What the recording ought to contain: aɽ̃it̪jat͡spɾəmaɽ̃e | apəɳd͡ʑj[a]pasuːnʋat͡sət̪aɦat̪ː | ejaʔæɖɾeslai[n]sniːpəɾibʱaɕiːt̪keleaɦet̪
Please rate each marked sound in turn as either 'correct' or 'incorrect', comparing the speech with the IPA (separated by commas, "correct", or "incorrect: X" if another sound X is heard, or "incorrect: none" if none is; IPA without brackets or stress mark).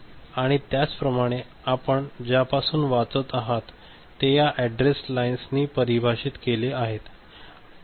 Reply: correct, correct